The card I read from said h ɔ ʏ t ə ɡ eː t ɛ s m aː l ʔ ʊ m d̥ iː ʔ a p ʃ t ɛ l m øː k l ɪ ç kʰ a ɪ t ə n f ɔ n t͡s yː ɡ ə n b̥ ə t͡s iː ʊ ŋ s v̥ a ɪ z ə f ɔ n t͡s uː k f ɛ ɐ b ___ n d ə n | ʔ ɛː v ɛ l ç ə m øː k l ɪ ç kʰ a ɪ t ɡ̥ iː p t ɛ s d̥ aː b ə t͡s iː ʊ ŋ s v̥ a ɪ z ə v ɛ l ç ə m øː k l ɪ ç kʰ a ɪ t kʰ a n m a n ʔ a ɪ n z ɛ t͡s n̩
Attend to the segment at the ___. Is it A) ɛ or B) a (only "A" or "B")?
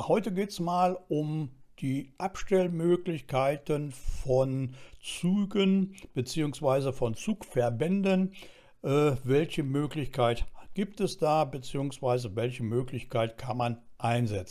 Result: A